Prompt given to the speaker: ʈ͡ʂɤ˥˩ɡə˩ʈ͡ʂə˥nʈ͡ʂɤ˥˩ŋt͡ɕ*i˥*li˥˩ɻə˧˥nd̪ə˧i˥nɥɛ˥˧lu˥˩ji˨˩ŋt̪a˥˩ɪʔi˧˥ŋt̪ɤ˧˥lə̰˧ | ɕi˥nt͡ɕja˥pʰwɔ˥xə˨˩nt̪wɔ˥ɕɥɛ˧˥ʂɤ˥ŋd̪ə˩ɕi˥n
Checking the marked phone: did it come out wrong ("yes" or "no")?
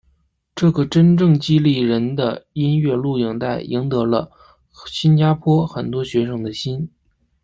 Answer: no